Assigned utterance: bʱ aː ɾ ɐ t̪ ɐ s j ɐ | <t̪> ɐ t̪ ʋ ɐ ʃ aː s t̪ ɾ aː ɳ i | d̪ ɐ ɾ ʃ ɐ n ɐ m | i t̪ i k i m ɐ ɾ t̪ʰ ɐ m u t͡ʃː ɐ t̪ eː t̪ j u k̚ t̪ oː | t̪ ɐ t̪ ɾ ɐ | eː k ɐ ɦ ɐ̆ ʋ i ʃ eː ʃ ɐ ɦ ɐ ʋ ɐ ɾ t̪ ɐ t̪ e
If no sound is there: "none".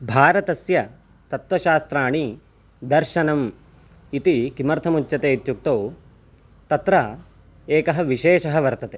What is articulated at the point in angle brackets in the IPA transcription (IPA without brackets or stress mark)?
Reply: t̪